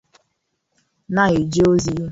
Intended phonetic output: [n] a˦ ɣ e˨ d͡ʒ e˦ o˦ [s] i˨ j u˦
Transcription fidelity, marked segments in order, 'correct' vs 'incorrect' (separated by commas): correct, incorrect